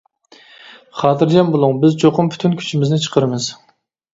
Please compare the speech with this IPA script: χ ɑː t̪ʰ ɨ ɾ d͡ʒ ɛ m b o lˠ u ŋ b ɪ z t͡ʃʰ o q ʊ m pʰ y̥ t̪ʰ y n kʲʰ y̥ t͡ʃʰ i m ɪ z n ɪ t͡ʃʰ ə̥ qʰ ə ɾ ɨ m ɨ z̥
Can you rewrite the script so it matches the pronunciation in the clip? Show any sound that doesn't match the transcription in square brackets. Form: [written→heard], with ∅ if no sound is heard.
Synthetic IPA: χ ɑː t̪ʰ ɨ ɾ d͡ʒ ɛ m b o lˠ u ŋ b ɪ z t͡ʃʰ o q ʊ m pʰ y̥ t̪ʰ y n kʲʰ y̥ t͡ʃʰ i m ɪ z n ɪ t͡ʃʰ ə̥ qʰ ə ɾ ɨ m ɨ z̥

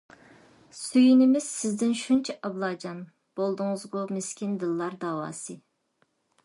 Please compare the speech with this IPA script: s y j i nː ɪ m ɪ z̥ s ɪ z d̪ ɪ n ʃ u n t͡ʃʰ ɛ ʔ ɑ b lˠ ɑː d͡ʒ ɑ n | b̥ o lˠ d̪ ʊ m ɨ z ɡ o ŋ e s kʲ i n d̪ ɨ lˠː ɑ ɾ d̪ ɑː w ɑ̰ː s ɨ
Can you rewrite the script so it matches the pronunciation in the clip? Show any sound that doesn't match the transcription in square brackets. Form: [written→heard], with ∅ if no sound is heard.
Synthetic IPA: s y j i [nː→n] ɪ m ɪ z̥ s ɪ z d̪ ɪ n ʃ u n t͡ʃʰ ɛ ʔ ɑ b lˠ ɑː d͡ʒ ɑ n | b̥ o lˠ d̪ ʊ [m→ŋ] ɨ z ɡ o [ŋ→m] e s kʲ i n d̪ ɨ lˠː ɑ ɾ d̪ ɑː w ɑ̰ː s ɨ

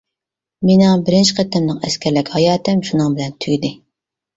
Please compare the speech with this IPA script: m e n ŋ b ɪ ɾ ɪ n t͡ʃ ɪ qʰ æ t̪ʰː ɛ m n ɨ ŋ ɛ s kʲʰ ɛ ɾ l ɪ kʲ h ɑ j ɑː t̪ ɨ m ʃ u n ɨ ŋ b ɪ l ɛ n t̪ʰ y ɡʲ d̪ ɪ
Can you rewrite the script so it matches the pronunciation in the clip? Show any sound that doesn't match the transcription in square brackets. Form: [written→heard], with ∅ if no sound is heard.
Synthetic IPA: m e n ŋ b ɪ ɾ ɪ n t͡ʃ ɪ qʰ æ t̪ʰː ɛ m n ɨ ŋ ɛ s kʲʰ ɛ ɾ l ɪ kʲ h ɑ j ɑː t̪ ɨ m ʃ u n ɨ ŋ b ɪ l ɛ n t̪ʰ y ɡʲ d̪ ɪ

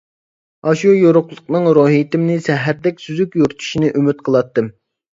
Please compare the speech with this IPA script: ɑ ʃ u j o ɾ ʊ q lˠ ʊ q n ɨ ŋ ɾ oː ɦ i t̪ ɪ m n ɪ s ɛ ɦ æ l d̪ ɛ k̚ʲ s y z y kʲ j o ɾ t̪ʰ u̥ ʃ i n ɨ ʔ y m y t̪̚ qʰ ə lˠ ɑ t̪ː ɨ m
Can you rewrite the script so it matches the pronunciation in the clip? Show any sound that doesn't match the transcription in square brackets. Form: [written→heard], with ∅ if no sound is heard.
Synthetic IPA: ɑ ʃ u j o ɾ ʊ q lˠ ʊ q n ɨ ŋ ɾ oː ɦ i t̪ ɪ m n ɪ s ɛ ɦ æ [l→ɾ] d̪ ɛ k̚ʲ s y z y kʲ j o ɾ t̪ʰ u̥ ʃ i n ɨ ʔ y m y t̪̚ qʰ ə lˠ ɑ t̪ː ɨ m

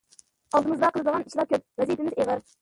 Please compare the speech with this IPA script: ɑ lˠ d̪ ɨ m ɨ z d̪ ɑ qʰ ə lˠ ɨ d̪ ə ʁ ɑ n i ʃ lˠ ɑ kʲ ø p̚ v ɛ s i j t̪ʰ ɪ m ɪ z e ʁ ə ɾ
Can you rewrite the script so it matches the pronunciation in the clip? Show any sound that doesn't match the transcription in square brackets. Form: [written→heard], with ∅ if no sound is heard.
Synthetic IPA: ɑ lˠ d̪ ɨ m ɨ z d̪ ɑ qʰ ə lˠ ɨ d̪ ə ʁ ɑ n i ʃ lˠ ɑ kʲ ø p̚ v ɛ [s→z] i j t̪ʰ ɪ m ɪ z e ʁ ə ɾ

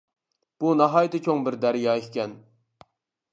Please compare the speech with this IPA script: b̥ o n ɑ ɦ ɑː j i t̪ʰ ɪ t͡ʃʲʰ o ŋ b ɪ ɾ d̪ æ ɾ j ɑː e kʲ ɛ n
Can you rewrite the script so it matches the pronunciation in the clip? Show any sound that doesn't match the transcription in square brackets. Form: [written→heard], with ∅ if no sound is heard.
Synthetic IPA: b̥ [o→u] n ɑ ɦ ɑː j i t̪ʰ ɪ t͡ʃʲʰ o ŋ b ɪ ɾ d̪ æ ɾ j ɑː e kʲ ɛ n

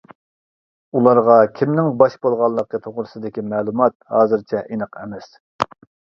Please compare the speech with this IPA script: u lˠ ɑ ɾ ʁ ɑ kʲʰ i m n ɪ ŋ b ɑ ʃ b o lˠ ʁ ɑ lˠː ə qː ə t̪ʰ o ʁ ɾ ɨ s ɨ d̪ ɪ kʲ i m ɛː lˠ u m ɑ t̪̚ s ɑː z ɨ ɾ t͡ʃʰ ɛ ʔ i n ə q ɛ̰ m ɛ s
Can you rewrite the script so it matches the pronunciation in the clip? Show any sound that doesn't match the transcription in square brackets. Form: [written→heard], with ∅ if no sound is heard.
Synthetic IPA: u lˠ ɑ ɾ ʁ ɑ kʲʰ i m n ɪ ŋ b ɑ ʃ b o lˠ ʁ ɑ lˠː ə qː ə t̪ʰ o ʁ ɾ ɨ s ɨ d̪ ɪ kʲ i m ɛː lˠ u m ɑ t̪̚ [s→h] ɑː z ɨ ɾ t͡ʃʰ ɛ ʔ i n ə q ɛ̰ m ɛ s

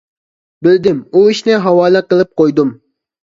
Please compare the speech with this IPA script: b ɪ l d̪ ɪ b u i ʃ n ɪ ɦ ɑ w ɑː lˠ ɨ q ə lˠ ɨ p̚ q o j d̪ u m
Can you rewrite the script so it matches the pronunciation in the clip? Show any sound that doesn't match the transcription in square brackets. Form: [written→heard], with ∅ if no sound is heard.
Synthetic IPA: b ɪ l d̪ ɪ [b→m] u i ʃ n ɪ ɦ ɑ w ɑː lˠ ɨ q ə lˠ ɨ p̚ q o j d̪ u m

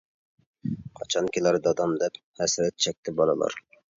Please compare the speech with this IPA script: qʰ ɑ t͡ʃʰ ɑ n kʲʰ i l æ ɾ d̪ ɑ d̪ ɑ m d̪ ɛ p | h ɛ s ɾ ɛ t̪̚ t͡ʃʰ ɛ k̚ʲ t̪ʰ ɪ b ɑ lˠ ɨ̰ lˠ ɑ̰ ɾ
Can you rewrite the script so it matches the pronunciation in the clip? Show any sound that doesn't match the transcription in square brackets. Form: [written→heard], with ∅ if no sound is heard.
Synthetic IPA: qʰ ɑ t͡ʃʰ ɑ n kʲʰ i l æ ɾ d̪ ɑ d̪ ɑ m d̪ ɛ p | h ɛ s ɾ ɛ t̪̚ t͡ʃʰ ɛ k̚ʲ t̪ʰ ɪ b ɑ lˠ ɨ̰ lˠ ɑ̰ ɾ

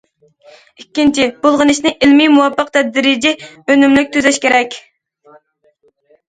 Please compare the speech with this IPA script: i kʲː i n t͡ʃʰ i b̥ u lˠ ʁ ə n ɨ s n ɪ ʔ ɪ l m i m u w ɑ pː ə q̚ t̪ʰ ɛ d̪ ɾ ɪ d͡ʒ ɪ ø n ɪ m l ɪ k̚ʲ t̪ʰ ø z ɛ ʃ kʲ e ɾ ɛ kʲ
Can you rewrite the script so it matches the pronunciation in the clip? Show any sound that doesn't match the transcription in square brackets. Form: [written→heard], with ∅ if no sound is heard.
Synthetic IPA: i kʲː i n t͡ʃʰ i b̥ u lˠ ʁ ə n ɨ [s→ʃ] n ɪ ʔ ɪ l m i m u w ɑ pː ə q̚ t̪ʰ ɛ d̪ ɾ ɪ d͡ʒ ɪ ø n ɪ m l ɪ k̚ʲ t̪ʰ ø z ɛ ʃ kʲ e ɾ ɛ kʲ

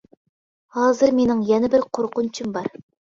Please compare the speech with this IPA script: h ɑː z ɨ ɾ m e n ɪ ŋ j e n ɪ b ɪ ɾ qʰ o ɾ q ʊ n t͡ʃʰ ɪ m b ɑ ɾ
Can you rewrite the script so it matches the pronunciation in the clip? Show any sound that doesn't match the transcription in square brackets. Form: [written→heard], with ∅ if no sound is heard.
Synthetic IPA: h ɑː z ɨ ɾ m e n ɪ ŋ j [e→ɛ] n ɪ b ɪ ɾ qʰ o ɾ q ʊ n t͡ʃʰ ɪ m b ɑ ɾ

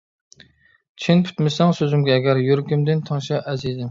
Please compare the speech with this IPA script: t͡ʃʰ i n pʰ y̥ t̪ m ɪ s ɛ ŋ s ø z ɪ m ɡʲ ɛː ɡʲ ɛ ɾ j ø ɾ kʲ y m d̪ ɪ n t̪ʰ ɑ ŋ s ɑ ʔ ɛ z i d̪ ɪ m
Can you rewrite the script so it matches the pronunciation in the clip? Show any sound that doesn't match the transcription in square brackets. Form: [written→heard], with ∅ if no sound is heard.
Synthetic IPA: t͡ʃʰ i n pʰ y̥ t̪ m ɪ s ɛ ŋ s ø z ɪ m ɡʲ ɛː ɡʲ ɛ ɾ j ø ɾ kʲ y m d̪ ɪ n t̪ʰ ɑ ŋ [s→ʃ] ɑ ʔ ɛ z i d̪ ɪ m

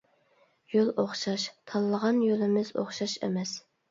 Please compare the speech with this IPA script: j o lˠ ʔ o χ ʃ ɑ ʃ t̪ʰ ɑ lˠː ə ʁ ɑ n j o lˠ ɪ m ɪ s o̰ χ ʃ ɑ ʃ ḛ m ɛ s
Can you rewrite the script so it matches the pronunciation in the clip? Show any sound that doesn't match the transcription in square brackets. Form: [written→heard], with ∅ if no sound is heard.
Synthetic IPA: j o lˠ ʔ o χ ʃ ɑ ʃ t̪ʰ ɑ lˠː ə ʁ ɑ n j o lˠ ɪ m ɪ [s→z] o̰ χ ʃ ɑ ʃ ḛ m ɛ s

